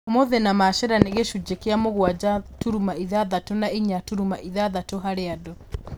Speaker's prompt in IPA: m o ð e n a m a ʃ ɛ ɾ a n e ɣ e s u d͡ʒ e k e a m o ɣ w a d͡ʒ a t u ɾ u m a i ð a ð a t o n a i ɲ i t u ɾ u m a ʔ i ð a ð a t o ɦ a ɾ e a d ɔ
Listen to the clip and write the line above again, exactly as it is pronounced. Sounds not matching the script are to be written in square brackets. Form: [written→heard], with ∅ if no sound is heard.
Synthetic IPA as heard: m o ð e n a m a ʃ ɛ ɾ a n e ɣ e [s→ʃ] u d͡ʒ e k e a m o ɣ w a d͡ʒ a t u ɾ u m a i ð a ð a t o n a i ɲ [i→a] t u ɾ u m a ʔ i ð a ð a t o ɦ a ɾ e a d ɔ